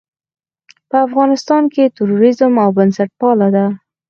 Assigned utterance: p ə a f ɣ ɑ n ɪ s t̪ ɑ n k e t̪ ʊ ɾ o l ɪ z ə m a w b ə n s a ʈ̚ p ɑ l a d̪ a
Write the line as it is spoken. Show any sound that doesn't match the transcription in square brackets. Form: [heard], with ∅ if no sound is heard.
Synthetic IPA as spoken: p ə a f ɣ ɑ n ɪ s t̪ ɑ n k e t̪ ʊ ɾ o [ɾ] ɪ z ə m a w b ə n s a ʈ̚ p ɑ l a d̪ a